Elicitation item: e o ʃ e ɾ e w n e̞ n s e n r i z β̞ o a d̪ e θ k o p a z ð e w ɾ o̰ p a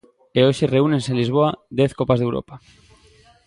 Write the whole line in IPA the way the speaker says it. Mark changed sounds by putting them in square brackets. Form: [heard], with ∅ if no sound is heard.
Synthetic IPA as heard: e o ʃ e [r] e [u] n e̞ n s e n [l] i z β̞ o a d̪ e θ k o p a z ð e w ɾ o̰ p a